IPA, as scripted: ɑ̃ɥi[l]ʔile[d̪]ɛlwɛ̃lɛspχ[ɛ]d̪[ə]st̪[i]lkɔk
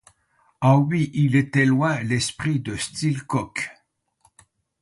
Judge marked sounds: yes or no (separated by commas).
no, no, no, yes, yes